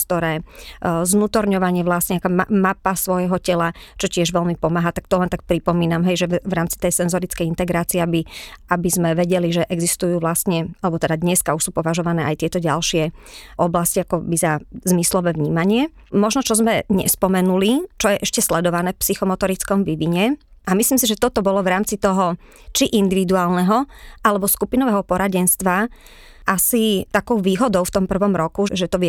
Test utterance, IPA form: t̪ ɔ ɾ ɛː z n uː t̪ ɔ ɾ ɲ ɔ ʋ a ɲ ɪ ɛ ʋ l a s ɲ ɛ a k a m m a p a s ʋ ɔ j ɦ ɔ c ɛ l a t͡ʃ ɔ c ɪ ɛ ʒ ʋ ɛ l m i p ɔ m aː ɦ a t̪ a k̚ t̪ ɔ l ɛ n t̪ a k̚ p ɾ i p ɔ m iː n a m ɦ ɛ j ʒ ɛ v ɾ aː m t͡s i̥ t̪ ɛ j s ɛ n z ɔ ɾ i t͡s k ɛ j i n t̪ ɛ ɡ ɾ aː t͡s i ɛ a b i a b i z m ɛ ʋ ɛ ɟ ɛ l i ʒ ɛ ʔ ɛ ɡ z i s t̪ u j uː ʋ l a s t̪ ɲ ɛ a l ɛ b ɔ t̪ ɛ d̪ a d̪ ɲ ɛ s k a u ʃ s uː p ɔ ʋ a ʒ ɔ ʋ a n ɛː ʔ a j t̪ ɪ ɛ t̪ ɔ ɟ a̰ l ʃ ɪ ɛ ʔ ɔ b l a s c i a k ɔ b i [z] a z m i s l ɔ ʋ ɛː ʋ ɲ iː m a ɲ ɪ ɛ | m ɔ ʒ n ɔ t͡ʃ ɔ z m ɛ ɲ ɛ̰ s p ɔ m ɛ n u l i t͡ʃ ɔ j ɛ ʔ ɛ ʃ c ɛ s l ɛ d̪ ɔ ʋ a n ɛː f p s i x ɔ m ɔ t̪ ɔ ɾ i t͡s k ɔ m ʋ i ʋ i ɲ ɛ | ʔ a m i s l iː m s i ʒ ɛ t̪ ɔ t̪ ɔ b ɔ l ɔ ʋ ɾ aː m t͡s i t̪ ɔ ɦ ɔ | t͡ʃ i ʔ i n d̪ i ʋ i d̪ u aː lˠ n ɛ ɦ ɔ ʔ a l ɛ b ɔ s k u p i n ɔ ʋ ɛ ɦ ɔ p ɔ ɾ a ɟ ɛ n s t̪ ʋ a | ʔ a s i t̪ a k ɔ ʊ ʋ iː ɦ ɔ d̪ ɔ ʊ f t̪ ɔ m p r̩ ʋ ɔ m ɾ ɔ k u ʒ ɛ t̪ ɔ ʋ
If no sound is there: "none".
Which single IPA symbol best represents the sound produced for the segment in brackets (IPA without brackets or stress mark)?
z